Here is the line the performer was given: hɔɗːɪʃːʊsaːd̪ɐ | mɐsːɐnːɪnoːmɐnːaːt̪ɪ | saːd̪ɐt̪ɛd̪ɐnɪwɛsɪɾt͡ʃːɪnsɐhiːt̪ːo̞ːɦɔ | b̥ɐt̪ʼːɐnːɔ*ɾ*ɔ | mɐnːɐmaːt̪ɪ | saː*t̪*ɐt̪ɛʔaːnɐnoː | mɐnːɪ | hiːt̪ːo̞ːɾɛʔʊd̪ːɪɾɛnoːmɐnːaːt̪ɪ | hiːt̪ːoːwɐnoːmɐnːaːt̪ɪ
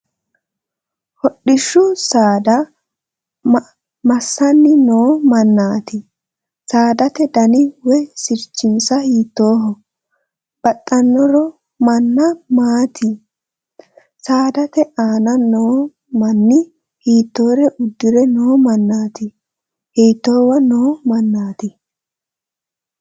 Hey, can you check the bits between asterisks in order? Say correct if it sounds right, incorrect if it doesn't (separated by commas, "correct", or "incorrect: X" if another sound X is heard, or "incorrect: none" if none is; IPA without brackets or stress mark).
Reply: correct, incorrect: d̪